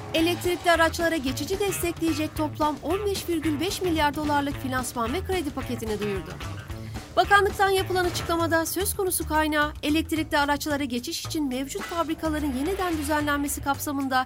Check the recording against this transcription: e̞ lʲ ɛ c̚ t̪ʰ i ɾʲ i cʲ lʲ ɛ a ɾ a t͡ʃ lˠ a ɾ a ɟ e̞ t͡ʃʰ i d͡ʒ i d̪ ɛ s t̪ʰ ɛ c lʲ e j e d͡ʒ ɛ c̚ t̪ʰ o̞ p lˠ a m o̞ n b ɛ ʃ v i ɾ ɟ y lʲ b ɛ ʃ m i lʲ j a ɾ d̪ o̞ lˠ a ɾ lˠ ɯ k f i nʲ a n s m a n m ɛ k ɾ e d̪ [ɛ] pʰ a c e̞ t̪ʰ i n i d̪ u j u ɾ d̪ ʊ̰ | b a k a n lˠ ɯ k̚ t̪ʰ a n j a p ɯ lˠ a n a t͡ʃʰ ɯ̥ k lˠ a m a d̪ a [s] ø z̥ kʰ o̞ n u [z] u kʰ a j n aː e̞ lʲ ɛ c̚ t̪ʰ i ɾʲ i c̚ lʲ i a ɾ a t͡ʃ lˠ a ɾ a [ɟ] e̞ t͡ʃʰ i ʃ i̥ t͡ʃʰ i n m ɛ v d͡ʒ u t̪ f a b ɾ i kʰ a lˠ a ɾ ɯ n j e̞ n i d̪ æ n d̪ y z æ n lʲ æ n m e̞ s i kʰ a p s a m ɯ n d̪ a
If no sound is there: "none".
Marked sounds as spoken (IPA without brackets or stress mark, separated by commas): i, s, s, ɟ